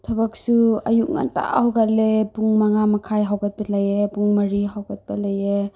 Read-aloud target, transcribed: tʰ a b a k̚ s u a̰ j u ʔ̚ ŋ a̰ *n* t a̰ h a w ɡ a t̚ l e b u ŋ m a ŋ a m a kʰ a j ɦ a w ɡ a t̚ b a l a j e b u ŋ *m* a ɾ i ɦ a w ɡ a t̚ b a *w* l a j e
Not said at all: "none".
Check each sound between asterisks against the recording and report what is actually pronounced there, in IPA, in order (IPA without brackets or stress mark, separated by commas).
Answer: n, m, none